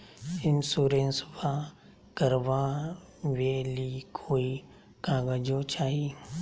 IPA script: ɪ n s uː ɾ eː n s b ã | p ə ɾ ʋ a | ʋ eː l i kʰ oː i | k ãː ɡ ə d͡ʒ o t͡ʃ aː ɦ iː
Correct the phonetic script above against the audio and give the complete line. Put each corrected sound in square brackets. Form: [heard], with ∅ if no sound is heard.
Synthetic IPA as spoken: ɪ n s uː ɾ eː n s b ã | [k] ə ɾ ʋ a | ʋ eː l i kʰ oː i | k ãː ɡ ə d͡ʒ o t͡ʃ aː ɦ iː